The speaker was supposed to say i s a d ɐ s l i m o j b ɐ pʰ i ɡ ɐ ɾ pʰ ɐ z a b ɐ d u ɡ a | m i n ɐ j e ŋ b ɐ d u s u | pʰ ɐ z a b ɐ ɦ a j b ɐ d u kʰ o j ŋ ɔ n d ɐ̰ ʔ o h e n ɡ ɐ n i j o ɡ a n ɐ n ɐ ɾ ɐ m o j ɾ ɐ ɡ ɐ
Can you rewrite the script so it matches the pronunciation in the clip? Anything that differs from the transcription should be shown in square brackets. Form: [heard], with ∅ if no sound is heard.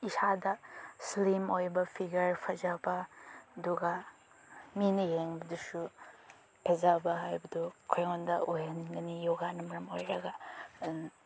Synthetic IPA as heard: i s a d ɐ s l i m o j b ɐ pʰ i ɡ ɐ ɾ pʰ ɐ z a b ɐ d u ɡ a | m i n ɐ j e ŋ b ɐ d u s u | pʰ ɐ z a b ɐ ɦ a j b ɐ d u kʰ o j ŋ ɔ n d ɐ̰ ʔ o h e n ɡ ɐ n i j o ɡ a n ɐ [m] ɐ ɾ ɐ m o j ɾ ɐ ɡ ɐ